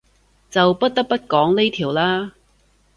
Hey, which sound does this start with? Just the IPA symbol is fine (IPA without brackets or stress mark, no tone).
t͡s